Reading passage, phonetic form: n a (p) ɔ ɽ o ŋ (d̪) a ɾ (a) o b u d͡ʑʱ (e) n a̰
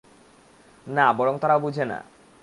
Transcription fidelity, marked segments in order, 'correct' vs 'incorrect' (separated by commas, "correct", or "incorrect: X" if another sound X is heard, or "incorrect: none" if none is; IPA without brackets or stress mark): incorrect: b, incorrect: t̪, correct, correct